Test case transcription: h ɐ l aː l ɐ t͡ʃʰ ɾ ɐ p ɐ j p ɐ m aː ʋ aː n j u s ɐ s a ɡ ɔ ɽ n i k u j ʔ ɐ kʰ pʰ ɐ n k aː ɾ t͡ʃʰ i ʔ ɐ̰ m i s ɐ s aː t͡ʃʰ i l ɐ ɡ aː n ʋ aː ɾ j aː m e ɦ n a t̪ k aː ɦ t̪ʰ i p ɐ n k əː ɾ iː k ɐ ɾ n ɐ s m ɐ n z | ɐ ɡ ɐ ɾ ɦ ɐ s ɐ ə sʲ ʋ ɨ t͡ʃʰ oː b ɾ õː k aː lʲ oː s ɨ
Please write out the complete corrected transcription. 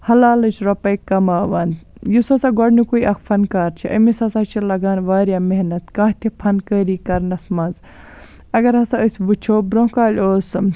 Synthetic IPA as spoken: h ɐ l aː l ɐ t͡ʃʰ ɾ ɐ p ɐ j k ɐ m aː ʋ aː n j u s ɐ s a ɡ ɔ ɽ n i k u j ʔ ɐ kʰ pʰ ɐ n k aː ɾ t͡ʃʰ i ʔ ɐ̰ m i s ɐ s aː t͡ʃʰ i l ɐ ɡ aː n ʋ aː ɾ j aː m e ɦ n ɐ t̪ k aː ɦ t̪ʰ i pʰ ɐ n k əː ɾ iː k ɐ ɾ n ɐ s m ɐ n z | ɐ ɡ ɐ ɾ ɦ ɐ s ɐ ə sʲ ʋ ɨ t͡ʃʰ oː b ɾ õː k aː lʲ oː s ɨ